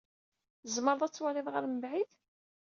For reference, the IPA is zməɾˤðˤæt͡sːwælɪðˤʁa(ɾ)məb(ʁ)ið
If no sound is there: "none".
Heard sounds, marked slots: ɾ, ʕ

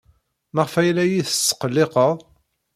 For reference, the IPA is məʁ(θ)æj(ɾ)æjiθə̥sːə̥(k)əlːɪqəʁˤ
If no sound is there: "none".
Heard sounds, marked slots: f, l, q

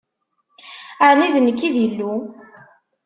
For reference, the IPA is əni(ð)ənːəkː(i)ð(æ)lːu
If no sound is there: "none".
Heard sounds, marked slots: ð, i, i

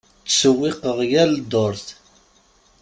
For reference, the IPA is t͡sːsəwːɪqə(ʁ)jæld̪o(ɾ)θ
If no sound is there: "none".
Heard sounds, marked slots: ʁ, ɾ

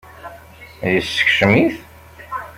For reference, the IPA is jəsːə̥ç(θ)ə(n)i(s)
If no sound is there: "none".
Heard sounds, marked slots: ʃ, m, θ

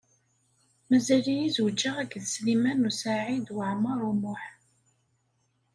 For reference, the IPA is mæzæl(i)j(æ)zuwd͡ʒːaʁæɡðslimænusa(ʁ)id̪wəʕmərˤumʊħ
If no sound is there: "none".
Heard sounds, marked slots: i, i, ʕ

